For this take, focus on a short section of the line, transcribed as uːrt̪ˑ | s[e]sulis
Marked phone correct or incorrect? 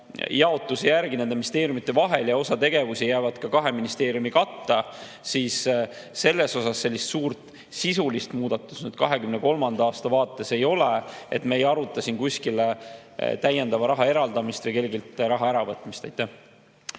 incorrect